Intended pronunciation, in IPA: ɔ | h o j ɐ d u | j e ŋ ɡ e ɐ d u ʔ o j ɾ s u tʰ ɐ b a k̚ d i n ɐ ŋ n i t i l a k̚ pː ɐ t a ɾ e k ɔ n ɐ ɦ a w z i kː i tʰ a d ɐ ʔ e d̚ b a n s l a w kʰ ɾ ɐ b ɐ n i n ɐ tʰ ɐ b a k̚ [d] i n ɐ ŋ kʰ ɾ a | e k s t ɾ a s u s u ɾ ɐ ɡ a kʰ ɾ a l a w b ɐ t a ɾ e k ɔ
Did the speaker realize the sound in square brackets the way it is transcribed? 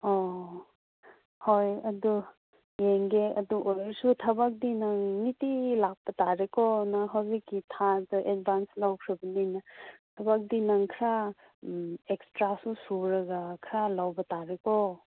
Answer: yes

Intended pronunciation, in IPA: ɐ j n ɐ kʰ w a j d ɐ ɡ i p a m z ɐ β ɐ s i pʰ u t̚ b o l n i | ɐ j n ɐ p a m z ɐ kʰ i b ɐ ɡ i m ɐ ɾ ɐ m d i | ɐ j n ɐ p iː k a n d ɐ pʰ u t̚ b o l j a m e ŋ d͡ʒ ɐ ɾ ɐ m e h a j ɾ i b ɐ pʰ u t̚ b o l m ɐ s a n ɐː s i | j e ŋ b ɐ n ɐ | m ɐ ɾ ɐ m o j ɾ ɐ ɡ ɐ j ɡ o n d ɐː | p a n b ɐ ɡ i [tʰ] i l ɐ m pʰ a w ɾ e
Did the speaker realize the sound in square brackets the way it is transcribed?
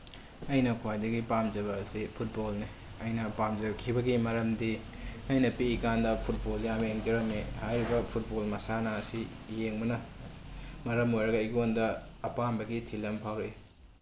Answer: yes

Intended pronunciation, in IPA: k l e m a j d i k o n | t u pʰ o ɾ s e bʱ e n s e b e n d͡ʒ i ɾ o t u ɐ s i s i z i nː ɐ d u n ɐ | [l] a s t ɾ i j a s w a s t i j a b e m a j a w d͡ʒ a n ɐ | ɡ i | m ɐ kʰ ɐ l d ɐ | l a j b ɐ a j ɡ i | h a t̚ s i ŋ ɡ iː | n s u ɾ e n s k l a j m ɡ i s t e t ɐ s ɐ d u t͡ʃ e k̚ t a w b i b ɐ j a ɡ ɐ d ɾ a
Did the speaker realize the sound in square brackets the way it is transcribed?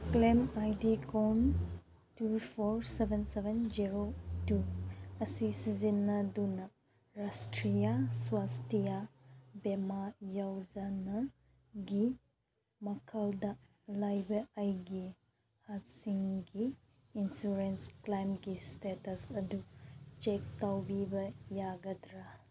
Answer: no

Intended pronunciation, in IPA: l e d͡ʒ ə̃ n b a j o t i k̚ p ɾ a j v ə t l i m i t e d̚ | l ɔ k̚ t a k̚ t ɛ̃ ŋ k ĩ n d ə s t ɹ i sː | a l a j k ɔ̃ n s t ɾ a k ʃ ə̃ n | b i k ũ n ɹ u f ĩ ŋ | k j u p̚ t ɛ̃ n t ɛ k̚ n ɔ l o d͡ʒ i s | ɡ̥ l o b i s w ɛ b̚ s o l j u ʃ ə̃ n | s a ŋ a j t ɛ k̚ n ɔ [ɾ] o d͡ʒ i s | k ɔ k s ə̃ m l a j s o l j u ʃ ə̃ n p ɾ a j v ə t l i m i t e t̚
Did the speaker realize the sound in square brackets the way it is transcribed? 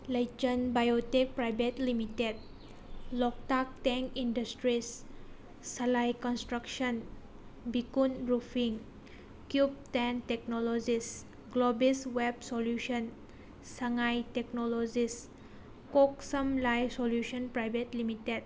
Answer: no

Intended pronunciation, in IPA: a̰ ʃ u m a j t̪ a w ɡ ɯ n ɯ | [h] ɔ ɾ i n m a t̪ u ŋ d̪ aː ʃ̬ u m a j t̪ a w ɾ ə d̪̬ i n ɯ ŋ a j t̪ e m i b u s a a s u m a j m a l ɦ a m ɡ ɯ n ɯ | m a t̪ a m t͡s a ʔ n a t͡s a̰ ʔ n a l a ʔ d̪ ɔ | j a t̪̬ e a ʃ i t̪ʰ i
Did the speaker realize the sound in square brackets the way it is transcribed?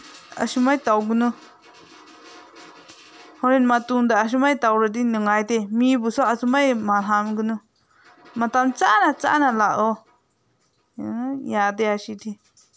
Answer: yes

